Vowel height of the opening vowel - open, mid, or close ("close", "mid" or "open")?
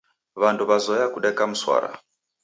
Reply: open